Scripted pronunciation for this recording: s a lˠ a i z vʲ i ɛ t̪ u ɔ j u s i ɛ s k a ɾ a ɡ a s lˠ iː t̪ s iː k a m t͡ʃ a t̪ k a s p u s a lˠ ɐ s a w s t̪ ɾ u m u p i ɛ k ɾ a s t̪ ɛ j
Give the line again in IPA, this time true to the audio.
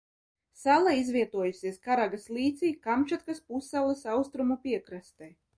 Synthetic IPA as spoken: s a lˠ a i z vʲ i ɛ t̪ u ɔ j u s i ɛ s k a ɾ a ɡ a s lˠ iː t̪ s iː k a m t͡ʃ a t̪ k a s p u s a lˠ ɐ s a w s t̪ ɾ u m u p i ɛ k ɾ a s t̪ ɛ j